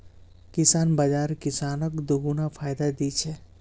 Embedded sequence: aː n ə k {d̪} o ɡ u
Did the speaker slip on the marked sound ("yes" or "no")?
no